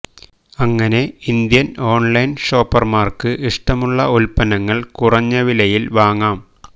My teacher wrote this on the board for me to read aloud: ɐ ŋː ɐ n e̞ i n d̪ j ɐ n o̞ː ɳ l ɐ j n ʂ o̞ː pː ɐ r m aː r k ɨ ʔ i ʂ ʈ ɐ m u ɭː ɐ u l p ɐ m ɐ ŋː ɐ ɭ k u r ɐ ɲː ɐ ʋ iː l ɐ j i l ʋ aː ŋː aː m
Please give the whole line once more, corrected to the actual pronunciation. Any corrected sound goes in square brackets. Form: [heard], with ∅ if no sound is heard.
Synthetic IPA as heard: ɐ ŋː ɐ n e̞ i n d̪ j ɐ n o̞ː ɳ l ɐ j n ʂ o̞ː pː ɐ r m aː r k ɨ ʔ i ʂ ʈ ɐ m u ɭː ɐ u l p ɐ [n] ɐ ŋː ɐ ɭ k u r ɐ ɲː ɐ ʋ [i] l ɐ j i l ʋ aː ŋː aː m

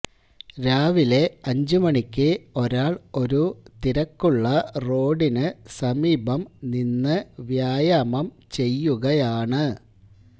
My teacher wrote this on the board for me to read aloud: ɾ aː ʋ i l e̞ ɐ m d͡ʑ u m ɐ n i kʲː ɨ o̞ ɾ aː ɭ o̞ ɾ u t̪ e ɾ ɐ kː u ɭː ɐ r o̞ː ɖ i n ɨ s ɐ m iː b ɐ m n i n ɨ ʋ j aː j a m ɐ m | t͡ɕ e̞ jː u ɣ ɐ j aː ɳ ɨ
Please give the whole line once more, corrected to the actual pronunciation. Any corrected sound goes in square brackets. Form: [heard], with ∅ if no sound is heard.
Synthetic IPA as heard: ɾ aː ʋ i l e̞ ɐ [ɲ] d͡ʑ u m ɐ [ɳ] i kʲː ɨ o̞ ɾ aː ɭ o̞ ɾ u t̪ [i] ɾ ɐ kː u ɭː ɐ r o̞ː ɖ i n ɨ s ɐ m iː b ɐ m n i [nː] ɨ ʋ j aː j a m ɐ m | t͡ɕ e̞ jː u ɣ ɐ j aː ɳ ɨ

